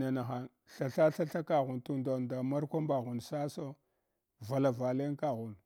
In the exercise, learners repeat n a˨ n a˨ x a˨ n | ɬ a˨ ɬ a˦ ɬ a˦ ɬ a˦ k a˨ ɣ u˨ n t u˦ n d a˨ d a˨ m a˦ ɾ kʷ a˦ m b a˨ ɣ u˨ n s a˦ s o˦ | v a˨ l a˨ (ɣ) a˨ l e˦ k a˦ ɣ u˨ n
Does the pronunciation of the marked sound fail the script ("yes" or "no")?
yes